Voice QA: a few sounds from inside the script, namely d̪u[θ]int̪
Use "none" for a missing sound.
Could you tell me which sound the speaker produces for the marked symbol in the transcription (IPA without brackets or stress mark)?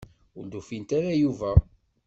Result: f